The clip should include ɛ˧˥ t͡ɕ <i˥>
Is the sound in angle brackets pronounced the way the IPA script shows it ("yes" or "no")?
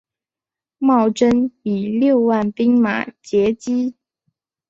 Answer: yes